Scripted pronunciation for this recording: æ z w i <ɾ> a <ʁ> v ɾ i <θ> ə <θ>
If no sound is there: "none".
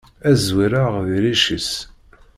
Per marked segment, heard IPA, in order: ɾ, ʁ, ʃ, s

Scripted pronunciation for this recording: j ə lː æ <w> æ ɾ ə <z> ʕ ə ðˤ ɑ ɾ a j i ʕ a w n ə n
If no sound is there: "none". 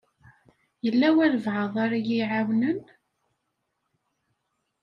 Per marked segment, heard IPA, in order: w, v

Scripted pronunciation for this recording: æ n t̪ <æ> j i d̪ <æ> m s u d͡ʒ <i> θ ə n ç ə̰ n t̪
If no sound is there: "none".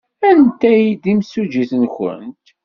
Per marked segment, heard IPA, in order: æ, i, i

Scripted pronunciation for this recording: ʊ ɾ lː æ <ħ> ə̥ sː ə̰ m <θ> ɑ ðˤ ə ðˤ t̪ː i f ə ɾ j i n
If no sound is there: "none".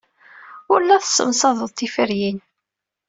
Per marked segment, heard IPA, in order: θ, s

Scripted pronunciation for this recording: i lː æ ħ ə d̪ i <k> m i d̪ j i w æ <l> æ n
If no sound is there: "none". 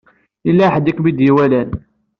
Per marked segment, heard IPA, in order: k, l

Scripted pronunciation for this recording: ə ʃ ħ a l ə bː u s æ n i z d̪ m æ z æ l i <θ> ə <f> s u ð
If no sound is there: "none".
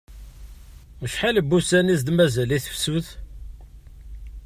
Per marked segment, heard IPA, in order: θ, f

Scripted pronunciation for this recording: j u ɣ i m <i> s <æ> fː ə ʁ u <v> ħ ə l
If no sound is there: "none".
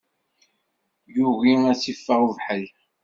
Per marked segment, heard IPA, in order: æ, i, v

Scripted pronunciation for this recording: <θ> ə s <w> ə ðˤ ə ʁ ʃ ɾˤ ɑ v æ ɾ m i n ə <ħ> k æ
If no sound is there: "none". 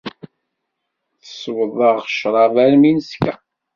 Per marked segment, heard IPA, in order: θ, w, s

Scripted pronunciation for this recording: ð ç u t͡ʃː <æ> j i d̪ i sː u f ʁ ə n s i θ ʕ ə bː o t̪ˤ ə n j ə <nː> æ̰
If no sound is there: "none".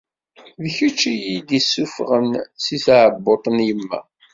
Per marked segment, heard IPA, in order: i, mː

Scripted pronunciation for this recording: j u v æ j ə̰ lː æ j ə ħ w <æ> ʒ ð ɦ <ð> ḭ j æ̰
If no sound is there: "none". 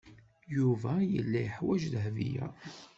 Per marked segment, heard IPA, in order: æ, v

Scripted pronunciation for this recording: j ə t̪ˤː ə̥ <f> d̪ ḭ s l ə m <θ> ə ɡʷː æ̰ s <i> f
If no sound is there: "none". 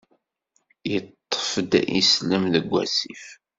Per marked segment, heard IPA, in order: f, ð, i

